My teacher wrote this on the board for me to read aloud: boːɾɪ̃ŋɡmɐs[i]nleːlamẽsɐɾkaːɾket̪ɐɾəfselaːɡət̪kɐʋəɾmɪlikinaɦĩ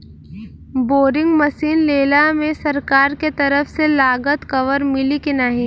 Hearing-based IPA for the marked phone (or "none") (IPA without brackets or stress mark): iː